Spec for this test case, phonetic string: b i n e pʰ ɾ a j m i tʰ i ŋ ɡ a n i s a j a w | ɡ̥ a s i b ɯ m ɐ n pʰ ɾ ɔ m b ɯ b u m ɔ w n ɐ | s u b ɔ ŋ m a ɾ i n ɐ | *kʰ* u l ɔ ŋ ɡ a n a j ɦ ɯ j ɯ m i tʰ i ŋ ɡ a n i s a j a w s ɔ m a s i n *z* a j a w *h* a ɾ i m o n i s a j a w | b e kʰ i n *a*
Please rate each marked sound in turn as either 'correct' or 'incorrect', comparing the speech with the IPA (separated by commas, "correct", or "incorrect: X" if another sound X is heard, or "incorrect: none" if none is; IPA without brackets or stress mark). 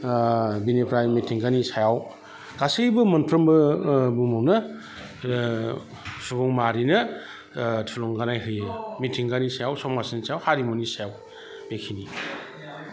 incorrect: tʰ, incorrect: s, correct, incorrect: i